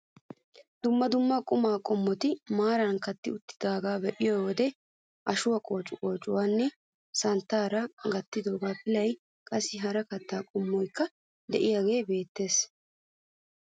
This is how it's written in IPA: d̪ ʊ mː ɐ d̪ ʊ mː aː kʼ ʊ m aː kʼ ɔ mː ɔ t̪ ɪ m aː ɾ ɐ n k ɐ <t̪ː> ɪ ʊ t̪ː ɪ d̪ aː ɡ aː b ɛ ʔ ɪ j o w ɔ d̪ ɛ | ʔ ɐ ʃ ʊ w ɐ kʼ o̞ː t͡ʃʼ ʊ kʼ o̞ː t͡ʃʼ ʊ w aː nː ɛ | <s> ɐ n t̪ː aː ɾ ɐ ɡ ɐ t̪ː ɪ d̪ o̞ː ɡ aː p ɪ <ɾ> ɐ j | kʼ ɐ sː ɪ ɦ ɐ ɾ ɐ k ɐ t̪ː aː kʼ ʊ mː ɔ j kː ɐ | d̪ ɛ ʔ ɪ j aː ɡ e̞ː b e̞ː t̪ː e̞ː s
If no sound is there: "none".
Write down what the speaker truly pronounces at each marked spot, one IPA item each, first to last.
t̪ː, s, l

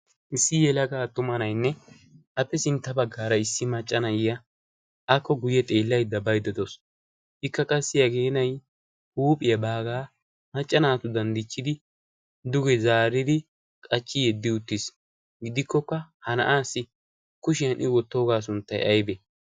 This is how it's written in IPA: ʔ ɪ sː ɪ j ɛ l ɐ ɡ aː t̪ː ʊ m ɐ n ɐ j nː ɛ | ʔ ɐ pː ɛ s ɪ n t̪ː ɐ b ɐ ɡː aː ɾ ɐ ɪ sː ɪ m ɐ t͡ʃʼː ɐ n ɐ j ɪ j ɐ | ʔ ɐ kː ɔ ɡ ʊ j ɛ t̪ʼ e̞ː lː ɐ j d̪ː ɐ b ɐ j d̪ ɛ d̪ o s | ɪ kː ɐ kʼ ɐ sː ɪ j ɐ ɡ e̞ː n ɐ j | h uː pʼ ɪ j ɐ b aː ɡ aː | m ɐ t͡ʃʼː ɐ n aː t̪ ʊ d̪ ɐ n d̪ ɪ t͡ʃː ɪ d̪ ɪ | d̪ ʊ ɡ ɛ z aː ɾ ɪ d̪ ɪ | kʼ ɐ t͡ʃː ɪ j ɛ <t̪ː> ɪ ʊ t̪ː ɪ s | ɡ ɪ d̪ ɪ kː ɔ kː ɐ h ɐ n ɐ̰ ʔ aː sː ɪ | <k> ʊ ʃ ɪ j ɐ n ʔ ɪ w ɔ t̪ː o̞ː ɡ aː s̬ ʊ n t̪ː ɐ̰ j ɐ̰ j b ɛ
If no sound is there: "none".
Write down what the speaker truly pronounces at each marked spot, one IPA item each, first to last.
d̪ː, k

